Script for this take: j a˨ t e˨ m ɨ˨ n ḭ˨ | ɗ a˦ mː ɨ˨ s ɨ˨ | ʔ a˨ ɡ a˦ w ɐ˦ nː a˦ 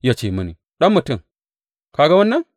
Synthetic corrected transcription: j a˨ t͡ʃ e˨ m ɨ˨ n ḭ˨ | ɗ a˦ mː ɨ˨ t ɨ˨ | k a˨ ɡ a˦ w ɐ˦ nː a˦